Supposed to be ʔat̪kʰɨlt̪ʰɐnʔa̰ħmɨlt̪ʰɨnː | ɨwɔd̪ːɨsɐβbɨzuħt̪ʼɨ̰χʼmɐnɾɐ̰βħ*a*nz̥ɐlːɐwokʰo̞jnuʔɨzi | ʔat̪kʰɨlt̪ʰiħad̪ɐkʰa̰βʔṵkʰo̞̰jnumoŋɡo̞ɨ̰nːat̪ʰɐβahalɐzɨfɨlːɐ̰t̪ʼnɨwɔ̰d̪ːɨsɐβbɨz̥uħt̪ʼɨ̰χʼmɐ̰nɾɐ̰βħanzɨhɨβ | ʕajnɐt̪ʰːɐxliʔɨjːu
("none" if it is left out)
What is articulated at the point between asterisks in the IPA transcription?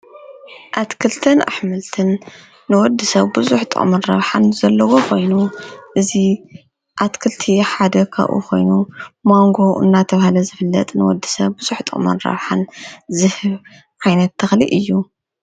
a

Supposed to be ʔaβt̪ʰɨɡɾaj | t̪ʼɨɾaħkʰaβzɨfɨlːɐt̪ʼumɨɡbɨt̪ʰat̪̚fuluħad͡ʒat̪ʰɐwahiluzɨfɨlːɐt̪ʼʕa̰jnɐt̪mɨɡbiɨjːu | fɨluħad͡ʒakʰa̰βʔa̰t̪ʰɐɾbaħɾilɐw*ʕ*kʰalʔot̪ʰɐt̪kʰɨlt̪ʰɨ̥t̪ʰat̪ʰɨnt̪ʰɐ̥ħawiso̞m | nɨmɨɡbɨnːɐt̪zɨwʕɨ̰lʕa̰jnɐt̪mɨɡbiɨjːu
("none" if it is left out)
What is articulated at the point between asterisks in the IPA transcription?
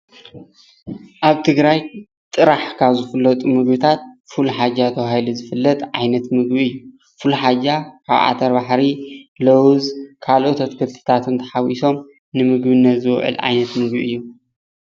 z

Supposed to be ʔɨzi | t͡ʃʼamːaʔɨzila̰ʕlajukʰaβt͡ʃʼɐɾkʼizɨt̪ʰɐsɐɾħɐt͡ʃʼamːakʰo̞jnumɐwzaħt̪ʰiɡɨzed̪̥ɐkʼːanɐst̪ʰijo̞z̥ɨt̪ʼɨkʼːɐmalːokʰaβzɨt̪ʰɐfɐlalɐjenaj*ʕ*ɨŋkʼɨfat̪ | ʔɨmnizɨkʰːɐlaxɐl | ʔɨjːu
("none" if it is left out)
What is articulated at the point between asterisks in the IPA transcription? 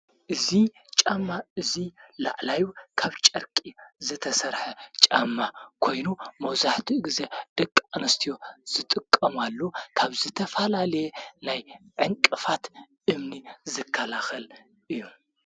ʕ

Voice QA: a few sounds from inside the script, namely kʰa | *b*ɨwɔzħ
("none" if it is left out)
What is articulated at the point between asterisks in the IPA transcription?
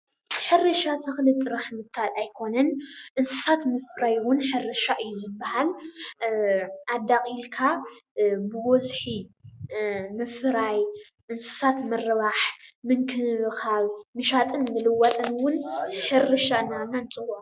b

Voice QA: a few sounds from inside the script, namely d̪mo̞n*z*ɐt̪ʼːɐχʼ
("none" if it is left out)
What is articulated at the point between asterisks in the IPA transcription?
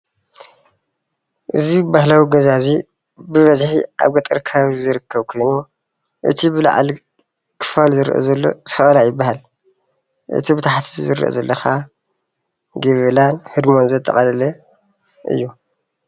z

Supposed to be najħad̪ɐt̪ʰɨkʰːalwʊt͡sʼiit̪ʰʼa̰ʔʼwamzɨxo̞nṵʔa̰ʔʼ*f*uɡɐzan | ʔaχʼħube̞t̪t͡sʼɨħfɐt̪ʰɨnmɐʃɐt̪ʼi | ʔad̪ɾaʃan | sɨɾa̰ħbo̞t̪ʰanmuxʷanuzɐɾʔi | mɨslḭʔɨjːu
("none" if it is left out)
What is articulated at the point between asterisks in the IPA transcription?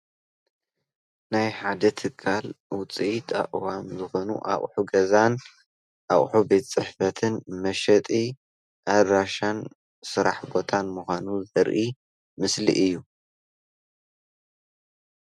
ħ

